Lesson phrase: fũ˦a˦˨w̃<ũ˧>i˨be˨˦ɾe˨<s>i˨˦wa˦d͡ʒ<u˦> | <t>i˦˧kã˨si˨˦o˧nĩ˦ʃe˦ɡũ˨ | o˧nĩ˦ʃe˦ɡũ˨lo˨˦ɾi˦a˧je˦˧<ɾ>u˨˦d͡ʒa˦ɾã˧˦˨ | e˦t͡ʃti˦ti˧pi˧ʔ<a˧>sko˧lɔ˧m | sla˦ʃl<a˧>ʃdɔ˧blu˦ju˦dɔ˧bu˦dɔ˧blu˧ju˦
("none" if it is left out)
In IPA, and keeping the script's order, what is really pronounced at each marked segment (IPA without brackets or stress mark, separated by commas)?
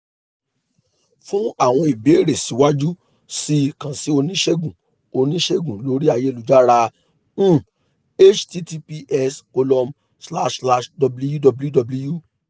ɔ̃˧, s, u˦, s, l, ɛ˧, a˧